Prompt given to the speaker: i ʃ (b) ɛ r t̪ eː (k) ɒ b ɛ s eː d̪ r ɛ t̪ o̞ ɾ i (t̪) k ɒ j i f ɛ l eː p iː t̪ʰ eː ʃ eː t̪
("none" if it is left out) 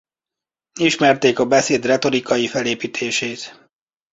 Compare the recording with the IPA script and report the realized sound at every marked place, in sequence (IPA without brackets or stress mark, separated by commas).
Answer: m, k, none